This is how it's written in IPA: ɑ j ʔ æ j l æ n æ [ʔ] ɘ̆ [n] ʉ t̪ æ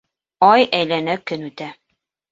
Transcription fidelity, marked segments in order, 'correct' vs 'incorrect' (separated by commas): incorrect, correct